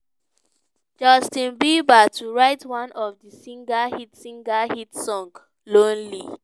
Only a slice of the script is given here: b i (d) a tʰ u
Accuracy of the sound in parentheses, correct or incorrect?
incorrect